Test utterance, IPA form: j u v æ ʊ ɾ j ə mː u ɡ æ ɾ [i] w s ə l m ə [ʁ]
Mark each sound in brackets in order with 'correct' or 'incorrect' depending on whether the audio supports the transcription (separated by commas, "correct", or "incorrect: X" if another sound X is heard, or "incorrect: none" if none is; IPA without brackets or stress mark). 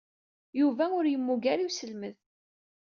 correct, incorrect: ð